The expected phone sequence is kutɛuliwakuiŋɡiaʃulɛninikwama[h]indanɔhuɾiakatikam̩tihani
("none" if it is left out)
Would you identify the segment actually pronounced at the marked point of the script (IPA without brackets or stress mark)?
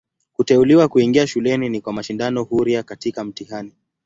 ʃ